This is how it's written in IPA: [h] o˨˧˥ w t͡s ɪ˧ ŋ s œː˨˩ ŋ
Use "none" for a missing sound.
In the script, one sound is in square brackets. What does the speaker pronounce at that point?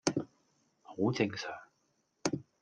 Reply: h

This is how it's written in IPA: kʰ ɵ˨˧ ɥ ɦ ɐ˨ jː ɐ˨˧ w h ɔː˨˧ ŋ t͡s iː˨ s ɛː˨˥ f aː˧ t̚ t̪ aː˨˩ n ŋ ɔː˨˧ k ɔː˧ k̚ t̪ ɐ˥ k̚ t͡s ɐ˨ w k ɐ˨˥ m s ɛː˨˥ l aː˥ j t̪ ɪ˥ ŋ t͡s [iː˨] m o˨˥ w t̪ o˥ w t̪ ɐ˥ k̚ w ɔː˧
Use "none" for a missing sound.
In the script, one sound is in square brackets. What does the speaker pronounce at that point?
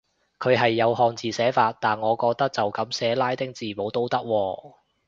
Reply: iː˨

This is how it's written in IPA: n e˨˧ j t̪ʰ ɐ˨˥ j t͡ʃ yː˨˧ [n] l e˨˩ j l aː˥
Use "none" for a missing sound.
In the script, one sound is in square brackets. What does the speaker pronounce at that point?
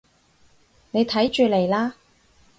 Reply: none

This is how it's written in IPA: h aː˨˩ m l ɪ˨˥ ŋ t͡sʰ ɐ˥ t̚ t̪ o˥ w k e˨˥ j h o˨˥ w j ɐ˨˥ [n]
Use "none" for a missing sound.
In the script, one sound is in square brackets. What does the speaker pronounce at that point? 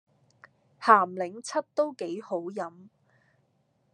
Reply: m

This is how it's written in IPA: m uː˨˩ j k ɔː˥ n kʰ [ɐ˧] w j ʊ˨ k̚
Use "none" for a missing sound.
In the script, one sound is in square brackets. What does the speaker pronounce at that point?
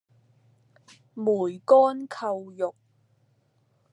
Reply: ɐ˧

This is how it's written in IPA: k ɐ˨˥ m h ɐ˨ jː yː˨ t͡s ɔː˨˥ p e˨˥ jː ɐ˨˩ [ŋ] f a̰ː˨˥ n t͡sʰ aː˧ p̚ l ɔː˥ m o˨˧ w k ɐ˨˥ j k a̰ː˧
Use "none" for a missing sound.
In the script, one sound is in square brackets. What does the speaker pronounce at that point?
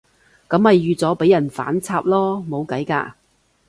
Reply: n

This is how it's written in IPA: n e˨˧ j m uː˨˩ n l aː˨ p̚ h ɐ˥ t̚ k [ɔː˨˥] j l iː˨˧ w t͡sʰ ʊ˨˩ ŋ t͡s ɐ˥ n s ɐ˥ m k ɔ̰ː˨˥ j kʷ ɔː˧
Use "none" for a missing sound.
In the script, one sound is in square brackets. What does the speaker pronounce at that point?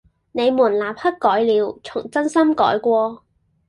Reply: ɔː˨˥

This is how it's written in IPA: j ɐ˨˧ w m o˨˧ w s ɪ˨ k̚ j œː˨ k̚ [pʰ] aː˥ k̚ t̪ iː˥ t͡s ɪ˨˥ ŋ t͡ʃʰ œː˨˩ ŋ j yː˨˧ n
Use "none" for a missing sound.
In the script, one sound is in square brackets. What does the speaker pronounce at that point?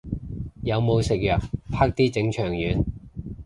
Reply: pʰ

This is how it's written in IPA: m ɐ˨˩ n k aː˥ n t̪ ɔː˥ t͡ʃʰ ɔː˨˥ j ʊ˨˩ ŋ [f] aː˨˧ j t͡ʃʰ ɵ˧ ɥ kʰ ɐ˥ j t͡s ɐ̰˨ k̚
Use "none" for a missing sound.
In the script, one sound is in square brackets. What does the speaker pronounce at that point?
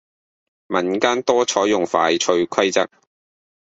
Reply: f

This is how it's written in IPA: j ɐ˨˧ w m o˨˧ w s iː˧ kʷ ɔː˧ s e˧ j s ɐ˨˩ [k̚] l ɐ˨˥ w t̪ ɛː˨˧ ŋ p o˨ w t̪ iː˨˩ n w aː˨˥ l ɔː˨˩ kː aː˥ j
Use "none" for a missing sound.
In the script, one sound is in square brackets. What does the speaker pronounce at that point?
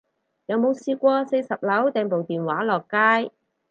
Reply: p̚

